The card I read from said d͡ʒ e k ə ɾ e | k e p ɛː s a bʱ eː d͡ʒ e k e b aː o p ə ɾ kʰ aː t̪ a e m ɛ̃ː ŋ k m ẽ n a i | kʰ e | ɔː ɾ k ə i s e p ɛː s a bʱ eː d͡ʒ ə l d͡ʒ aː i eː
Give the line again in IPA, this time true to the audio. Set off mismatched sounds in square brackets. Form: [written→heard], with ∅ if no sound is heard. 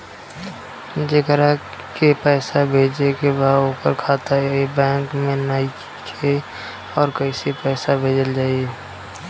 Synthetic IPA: d͡ʒ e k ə ɾ [e→a] | k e p ɛː s a bʱ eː d͡ʒ e k e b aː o p ə ɾ kʰ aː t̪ a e [m→b] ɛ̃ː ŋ k m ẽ n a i | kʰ e | ɔː ɾ k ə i s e p ɛː s a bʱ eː d͡ʒ ə l d͡ʒ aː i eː